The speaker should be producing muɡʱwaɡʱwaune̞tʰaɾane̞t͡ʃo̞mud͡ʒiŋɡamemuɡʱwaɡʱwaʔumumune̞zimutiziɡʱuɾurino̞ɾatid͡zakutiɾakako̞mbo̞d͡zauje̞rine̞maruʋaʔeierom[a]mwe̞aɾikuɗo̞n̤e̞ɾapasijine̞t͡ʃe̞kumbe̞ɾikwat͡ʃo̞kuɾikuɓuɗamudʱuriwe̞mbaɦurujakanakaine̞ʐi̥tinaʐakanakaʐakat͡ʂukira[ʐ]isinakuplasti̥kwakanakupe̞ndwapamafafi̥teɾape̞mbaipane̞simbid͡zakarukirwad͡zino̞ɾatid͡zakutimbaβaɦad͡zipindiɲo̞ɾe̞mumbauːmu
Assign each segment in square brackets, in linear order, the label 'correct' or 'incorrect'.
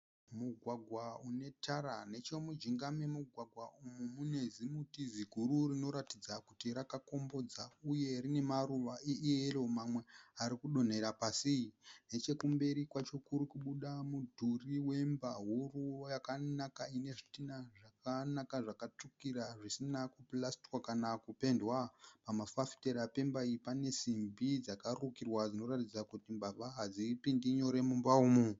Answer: correct, correct

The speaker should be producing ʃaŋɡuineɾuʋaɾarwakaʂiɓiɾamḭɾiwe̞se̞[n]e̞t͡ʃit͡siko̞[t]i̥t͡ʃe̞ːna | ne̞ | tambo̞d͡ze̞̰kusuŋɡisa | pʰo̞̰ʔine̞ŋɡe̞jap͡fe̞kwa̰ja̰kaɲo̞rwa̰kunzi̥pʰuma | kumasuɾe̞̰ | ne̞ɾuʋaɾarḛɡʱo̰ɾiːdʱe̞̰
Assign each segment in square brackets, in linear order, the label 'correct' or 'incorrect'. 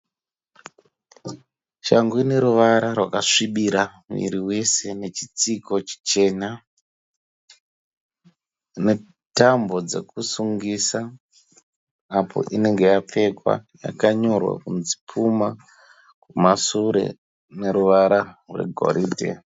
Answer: correct, incorrect

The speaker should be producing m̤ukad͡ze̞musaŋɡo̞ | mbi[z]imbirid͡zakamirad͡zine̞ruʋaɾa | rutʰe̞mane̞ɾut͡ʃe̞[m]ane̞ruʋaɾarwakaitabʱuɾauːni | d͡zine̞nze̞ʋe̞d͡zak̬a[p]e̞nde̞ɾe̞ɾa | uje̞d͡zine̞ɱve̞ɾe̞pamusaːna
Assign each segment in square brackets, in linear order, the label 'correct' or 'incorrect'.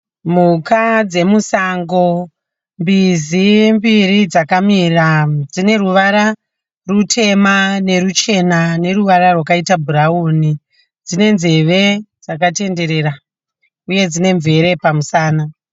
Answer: correct, incorrect, incorrect

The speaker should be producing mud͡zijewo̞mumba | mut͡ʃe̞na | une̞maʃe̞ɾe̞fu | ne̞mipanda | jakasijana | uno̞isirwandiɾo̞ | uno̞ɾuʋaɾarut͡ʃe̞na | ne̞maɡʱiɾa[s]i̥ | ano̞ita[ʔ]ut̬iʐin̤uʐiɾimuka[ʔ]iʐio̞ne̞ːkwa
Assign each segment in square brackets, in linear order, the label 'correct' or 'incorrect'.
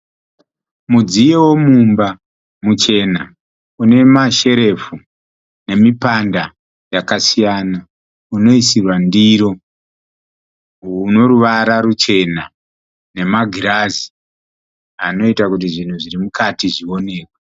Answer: incorrect, incorrect, incorrect

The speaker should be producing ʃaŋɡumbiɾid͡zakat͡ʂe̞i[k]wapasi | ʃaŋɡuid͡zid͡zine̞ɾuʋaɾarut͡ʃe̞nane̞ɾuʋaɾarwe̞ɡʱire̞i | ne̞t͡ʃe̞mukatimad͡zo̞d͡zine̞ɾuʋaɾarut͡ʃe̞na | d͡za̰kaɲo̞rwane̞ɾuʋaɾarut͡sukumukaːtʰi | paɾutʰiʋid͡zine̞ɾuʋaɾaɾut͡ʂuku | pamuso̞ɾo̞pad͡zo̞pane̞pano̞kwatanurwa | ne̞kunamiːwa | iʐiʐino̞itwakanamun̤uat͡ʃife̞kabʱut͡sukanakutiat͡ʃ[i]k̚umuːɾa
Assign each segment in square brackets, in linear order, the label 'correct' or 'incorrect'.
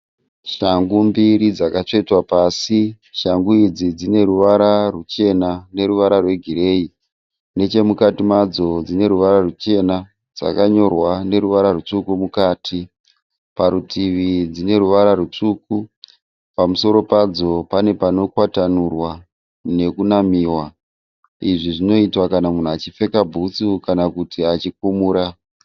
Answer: incorrect, correct

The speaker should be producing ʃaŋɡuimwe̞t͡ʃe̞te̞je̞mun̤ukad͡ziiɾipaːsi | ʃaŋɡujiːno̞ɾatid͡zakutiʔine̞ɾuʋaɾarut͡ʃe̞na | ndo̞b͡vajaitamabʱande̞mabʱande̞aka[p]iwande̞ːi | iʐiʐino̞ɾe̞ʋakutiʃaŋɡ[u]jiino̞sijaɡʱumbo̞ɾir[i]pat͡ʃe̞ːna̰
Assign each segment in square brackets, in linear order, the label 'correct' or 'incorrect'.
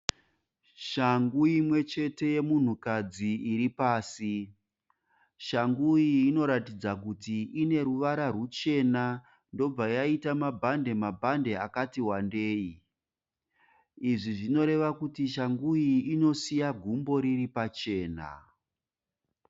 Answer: incorrect, correct, correct

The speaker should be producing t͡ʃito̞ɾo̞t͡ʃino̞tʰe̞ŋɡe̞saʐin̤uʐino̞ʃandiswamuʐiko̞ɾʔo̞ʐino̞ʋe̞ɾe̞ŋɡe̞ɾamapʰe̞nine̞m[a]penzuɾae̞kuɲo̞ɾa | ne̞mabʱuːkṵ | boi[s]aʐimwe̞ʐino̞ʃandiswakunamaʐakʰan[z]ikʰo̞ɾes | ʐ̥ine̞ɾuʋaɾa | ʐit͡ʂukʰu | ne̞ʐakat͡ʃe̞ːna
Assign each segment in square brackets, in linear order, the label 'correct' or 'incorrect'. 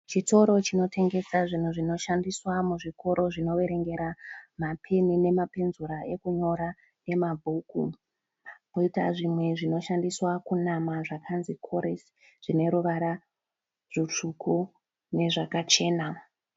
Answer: correct, incorrect, correct

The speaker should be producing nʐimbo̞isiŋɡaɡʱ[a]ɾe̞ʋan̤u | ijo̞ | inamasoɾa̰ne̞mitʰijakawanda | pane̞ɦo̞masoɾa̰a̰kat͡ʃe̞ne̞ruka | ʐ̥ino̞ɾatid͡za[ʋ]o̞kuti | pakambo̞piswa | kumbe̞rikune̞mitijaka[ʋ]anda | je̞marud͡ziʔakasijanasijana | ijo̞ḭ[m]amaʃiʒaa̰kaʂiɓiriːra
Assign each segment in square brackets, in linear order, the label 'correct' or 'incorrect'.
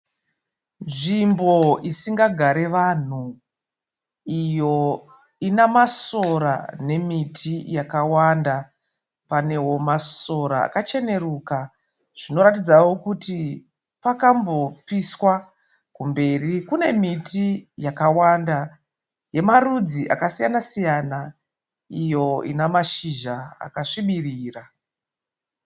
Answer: correct, incorrect, incorrect, incorrect

